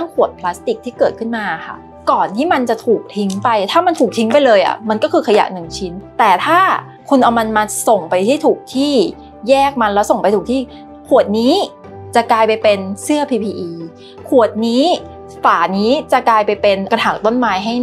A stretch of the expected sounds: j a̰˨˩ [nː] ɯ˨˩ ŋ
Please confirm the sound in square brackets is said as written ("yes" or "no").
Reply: no